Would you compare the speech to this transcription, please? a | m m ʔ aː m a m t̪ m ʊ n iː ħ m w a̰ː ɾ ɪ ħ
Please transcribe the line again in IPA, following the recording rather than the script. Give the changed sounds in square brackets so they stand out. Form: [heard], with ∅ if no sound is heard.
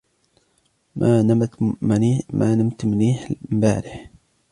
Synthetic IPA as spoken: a | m m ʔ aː [n] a m t̪ m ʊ n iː ħ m [b] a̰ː ɾ ɪ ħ